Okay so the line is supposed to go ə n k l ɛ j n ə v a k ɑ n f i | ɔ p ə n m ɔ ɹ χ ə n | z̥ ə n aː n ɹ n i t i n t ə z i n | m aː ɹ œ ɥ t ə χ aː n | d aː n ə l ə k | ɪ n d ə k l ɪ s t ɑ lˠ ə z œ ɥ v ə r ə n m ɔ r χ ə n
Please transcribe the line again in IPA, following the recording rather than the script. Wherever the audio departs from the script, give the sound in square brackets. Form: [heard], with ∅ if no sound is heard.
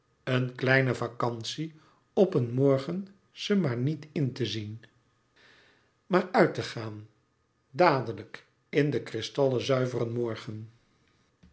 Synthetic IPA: ə n k l ɛ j n ə v a k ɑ n [s] i | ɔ p ə n m ɔ ɹ χ ə n | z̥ ə [m] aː [∅] ɹ n i t [ɪ] n t ə z i n | m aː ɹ œ ɥ t ə χ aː n | d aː [d] ə l ə k | ɪ n d ə k [r] ɪ s t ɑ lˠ ə z œ ɥ v ə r ə n m ɔ [ɹ] χ ə n